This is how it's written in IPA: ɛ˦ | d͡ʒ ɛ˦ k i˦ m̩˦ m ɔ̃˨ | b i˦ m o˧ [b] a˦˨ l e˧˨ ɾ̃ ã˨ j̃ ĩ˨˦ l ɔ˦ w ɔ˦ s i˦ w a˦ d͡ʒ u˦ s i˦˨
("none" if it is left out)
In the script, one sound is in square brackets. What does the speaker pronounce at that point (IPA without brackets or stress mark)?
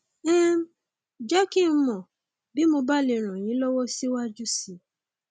b